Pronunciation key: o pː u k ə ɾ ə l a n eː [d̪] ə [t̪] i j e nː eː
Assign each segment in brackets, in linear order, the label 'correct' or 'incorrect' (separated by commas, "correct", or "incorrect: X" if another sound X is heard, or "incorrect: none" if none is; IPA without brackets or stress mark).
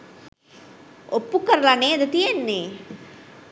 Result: correct, correct